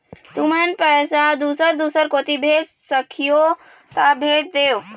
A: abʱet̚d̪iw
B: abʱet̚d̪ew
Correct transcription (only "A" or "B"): B